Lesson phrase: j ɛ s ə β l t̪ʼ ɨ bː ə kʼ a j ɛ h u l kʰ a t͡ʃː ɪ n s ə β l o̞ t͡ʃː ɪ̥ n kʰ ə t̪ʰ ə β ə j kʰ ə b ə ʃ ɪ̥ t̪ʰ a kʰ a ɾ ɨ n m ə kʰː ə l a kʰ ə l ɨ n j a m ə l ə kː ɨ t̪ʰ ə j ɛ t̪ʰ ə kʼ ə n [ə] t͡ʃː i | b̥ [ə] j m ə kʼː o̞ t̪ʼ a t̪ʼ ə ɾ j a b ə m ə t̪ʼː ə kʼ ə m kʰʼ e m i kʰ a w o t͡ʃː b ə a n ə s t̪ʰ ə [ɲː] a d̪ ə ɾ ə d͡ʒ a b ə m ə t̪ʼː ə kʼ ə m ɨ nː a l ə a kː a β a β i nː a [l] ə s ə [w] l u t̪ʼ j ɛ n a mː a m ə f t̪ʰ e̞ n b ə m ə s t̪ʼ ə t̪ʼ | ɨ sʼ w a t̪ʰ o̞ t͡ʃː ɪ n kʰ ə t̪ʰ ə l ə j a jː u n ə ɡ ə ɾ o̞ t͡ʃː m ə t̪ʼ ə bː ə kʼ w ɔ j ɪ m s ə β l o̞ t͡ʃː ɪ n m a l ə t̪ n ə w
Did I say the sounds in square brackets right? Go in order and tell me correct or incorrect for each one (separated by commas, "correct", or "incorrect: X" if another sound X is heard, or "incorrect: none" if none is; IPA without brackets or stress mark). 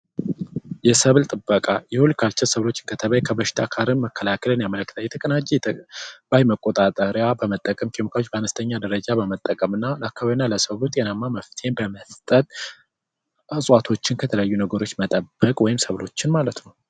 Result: incorrect: a, incorrect: a, correct, correct, incorrect: β